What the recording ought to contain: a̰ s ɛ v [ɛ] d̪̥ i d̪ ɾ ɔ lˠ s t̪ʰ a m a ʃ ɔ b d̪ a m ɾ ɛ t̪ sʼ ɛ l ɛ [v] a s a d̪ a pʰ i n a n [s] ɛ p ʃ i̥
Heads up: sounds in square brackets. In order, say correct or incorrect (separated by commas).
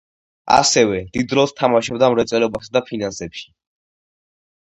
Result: correct, incorrect, correct